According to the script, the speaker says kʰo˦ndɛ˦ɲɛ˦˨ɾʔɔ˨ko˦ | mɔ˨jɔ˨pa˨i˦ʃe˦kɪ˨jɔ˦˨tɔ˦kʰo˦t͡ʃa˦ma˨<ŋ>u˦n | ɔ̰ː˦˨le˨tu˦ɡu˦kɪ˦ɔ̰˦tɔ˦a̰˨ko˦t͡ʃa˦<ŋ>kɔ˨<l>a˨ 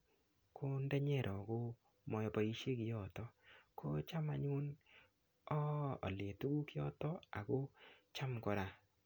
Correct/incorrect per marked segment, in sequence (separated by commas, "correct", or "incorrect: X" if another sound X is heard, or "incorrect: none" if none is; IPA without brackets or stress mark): incorrect: ɲ, incorrect: m, incorrect: ɾ